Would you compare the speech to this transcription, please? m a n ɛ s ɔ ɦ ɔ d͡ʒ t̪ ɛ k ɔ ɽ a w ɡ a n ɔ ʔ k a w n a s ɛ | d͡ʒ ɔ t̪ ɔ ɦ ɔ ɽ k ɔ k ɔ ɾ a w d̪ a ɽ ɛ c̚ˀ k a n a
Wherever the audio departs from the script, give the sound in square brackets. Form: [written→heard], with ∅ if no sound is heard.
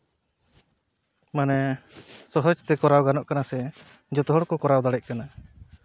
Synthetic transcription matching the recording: m a n ɛ s ɔ ɦ ɔ d͡ʒ t̪ ɛ k ɔ [ɽ→ɾ] a w ɡ a n ɔ ʔ k a [w→∅] n a s ɛ | d͡ʒ ɔ t̪ ɔ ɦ ɔ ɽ k ɔ k ɔ ɾ a w d̪ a ɽ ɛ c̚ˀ k a n a